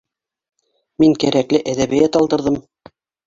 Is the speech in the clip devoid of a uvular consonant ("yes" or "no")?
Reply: yes